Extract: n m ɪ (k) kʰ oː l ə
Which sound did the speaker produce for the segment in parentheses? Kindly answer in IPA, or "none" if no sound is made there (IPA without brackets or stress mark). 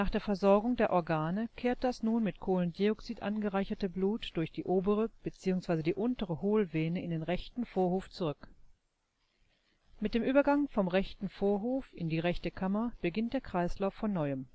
t